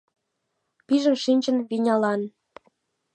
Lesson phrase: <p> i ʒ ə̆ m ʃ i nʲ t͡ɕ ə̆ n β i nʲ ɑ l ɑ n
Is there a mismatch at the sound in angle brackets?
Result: no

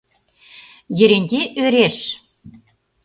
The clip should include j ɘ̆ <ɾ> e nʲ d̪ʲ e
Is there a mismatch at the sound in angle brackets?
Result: no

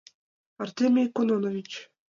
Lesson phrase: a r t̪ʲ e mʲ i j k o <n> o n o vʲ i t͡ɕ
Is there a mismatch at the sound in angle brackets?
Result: no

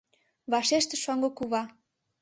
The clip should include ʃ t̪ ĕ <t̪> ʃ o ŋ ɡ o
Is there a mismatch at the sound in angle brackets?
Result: yes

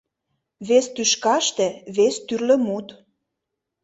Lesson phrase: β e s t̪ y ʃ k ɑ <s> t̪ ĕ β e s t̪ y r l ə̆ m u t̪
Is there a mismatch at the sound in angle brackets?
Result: yes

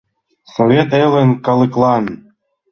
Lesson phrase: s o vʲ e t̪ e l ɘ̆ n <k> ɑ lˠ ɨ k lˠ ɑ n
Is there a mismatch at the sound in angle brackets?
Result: no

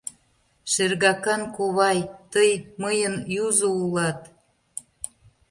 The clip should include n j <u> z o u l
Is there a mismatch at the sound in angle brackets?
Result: no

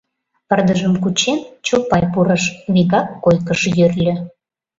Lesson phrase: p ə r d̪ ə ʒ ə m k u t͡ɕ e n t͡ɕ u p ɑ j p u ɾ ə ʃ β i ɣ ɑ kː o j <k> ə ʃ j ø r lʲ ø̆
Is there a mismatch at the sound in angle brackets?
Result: no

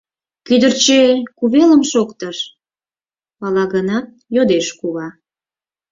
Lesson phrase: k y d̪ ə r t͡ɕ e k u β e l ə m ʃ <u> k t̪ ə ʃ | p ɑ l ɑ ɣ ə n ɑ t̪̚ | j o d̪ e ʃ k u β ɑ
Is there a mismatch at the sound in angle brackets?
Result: yes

